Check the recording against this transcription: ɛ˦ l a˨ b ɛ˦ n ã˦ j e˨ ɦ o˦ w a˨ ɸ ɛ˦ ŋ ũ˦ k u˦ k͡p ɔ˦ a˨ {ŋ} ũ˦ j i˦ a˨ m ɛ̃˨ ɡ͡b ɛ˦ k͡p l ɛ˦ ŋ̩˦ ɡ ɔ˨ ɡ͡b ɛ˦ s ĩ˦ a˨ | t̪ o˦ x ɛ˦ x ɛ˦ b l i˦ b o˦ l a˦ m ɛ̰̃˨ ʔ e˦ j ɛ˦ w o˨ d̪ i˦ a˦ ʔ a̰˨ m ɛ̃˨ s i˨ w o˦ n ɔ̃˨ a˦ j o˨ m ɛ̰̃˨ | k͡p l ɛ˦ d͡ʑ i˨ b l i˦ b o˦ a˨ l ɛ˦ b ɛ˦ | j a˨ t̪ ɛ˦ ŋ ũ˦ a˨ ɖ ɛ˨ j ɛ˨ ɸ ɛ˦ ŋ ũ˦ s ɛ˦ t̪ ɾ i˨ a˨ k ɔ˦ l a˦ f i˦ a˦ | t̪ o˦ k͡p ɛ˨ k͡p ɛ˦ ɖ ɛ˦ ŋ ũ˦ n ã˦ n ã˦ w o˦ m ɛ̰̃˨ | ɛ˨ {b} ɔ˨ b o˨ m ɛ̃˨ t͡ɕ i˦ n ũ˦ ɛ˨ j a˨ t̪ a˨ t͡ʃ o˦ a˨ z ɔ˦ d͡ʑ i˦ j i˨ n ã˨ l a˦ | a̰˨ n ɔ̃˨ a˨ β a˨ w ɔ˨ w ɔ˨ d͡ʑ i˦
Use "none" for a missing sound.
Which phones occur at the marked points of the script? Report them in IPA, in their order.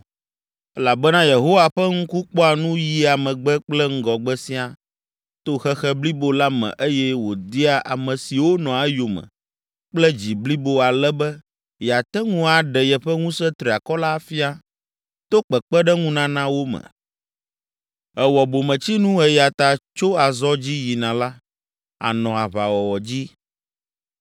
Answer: n, w

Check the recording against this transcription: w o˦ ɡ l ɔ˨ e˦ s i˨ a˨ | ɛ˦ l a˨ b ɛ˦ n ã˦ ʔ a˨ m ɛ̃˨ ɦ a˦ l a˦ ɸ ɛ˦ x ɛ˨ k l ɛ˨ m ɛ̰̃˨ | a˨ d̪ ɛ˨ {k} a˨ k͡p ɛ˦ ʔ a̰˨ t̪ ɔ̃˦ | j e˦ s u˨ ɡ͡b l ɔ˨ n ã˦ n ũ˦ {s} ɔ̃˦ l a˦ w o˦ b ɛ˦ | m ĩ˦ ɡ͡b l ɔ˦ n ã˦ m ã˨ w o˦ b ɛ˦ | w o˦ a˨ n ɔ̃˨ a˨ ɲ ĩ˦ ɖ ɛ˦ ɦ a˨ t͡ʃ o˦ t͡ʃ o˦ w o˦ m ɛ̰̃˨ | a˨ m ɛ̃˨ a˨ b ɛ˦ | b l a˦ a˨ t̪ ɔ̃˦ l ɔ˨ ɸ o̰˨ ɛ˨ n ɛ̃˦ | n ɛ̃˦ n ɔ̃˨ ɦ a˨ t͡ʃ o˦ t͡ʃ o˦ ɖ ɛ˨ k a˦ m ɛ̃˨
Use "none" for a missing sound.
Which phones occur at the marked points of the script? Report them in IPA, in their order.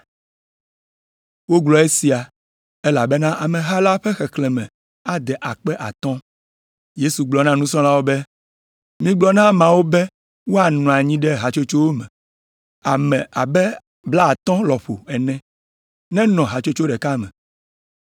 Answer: ʔ, s

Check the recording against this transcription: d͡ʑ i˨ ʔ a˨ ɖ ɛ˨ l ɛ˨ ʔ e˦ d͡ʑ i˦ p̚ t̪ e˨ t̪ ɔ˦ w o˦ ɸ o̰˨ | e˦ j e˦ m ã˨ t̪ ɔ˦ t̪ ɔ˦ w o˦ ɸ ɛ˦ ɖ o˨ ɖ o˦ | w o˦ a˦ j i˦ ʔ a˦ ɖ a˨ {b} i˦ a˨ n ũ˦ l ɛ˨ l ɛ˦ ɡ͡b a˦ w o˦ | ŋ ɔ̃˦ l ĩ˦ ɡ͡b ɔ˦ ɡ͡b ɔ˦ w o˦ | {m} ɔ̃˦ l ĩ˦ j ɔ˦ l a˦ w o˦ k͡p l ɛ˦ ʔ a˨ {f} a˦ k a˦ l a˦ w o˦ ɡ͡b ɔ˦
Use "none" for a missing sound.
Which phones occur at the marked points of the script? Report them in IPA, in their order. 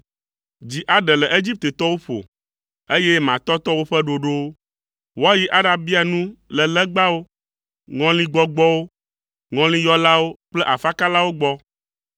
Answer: b, ŋ, f

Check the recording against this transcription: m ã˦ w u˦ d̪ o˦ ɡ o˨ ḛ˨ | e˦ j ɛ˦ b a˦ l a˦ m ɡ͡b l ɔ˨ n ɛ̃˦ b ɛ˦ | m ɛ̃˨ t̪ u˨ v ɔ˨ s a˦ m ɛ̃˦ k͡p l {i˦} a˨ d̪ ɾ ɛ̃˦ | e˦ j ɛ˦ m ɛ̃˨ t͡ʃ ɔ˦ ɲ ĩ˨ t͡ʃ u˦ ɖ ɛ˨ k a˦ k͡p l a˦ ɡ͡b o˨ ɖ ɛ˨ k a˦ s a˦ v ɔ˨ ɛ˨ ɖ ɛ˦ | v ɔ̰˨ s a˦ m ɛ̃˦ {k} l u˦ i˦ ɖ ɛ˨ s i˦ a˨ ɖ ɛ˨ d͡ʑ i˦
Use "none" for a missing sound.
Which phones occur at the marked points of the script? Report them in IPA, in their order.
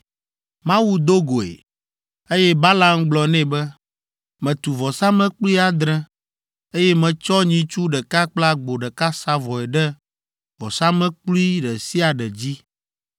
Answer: i˦, k͡p

